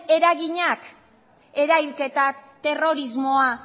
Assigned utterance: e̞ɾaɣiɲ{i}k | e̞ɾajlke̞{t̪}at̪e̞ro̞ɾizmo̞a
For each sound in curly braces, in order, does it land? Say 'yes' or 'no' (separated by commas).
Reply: no, yes